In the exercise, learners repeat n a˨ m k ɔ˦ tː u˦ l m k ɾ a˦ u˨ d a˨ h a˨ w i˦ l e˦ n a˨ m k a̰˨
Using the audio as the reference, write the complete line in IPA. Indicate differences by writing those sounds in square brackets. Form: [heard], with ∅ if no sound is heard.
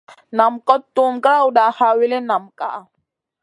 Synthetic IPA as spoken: n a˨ m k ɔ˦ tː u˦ [∅] m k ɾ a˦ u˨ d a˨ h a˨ w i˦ l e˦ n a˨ m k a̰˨